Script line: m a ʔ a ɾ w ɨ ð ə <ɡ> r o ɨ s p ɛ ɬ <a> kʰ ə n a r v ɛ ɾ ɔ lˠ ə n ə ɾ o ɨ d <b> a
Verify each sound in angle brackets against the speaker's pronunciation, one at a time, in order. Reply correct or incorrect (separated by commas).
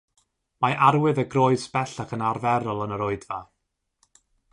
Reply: correct, correct, incorrect